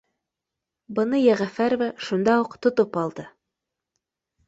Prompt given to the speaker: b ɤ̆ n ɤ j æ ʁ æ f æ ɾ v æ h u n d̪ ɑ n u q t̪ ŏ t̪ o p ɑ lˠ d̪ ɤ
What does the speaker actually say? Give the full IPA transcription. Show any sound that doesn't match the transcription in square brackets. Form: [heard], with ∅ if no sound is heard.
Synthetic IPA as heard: b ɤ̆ n ɤ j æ ʁ æ f æ ɾ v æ [ʃ] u n d̪ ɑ [∅] u q t̪ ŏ t̪ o p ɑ lˠ d̪ ɤ